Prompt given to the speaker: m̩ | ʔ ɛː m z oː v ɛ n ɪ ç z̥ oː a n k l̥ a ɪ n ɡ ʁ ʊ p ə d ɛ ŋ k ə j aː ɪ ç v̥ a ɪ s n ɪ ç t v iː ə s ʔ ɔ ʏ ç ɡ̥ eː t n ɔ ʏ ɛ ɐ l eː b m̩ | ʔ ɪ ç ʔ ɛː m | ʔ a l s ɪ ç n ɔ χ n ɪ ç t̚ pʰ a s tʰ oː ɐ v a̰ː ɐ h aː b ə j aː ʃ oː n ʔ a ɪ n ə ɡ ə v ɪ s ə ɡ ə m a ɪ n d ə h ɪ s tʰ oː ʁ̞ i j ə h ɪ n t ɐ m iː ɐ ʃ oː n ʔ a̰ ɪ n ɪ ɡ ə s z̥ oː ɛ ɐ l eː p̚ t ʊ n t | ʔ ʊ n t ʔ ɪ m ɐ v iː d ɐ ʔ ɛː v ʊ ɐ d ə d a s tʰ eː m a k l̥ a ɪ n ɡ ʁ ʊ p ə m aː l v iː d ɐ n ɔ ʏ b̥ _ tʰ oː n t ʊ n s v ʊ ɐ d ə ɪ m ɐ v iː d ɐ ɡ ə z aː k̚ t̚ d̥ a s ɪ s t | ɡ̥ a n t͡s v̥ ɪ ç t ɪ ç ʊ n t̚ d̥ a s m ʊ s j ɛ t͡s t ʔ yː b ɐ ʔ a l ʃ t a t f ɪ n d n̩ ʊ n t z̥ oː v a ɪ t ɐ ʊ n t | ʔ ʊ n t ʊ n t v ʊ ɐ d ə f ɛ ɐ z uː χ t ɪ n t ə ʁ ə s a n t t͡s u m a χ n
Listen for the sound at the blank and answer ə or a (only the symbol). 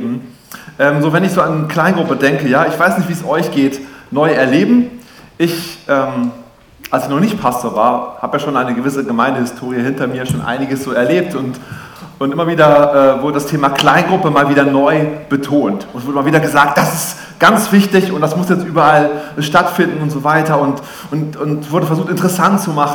ə